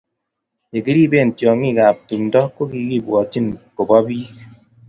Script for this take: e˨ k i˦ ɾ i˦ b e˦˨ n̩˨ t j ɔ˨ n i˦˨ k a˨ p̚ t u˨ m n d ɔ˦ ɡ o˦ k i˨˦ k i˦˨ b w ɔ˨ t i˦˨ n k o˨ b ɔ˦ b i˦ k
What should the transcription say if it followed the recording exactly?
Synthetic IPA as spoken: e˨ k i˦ ɾ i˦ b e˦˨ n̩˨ t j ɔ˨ ŋ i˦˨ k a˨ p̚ t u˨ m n d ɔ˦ k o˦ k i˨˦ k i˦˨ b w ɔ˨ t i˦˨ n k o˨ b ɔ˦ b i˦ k